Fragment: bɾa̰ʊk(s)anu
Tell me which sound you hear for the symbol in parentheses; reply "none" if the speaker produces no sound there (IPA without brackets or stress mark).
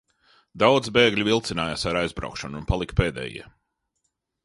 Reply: ʃ